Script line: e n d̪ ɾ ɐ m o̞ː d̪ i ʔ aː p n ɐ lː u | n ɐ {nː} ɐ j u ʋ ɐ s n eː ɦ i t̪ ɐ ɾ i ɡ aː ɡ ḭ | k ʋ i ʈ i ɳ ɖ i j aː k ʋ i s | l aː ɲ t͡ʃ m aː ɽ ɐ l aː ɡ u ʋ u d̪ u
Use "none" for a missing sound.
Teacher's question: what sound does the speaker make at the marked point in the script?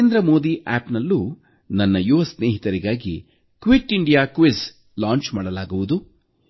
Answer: nː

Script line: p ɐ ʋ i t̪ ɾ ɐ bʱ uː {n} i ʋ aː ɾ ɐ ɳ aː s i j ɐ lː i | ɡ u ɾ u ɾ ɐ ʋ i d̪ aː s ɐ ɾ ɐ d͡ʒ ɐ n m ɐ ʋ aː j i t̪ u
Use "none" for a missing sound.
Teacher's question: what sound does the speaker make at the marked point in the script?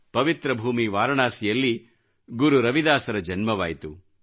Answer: m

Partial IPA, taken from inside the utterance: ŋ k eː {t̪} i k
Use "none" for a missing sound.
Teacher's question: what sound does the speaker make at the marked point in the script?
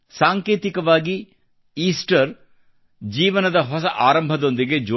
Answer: t̪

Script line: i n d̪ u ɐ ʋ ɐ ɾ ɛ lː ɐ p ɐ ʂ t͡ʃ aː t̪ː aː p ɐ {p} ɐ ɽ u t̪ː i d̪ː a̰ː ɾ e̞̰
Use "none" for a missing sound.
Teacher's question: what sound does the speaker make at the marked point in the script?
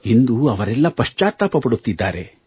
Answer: p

